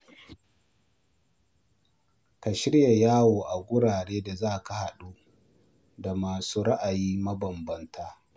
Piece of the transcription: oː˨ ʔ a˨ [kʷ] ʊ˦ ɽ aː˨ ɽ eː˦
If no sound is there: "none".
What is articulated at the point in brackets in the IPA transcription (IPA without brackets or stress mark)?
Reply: ɡʷ